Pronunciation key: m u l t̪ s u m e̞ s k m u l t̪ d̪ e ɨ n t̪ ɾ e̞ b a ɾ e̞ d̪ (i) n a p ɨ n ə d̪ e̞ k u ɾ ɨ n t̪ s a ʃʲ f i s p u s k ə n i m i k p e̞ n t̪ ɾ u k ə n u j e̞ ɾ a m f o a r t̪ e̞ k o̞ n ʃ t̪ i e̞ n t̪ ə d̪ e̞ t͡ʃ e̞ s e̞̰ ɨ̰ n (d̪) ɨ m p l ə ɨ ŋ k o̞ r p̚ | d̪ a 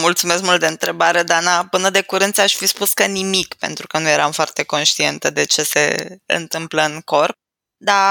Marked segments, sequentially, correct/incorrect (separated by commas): incorrect, incorrect